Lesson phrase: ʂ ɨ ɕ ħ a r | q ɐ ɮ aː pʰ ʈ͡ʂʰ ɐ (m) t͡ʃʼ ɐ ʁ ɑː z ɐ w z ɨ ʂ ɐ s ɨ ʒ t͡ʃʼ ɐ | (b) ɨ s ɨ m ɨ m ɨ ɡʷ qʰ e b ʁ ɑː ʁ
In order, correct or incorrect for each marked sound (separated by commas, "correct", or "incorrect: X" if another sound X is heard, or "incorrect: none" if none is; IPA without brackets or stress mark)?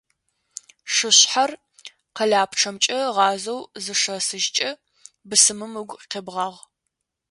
correct, correct